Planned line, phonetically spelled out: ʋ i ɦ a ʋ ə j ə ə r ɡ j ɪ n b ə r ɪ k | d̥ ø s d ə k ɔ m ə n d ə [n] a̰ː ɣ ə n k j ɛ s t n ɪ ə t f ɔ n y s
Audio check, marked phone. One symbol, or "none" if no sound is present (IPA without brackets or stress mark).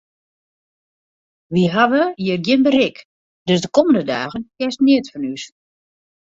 d